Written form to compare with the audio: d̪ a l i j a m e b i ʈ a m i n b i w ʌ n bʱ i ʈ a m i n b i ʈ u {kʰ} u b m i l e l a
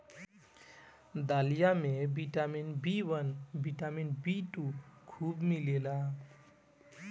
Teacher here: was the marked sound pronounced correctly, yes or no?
yes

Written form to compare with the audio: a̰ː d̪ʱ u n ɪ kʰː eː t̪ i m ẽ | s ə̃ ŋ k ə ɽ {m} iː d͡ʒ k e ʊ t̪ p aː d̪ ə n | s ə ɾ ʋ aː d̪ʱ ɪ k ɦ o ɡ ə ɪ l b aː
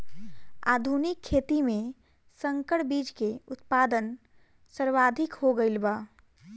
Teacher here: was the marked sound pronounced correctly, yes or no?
no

